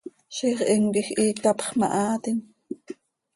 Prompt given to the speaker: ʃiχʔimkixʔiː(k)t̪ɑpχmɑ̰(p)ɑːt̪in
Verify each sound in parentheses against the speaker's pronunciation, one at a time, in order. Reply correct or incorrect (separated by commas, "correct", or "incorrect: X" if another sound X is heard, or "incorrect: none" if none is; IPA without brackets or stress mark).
correct, incorrect: ʔ